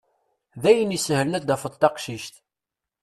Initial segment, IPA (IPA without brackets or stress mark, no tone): ð